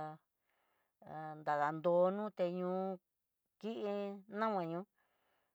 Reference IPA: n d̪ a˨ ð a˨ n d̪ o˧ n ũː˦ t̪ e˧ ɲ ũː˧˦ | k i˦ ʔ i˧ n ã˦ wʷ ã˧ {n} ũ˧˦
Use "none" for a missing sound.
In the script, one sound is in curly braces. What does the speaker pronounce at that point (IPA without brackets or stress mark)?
ɲ